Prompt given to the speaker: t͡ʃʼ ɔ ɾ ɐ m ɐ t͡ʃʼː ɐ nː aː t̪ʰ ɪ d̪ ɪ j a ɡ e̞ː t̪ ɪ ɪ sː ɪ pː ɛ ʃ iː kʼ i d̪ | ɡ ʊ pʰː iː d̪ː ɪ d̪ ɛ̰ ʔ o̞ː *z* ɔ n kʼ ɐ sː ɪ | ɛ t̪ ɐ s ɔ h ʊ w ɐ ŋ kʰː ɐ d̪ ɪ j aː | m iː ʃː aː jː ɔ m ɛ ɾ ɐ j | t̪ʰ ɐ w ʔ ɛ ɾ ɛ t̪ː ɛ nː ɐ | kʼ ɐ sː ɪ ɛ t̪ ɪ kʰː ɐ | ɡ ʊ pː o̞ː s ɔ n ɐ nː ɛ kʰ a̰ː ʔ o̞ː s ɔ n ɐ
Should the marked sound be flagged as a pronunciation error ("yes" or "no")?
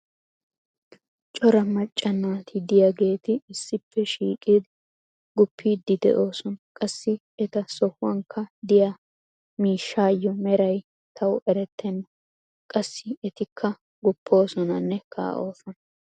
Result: yes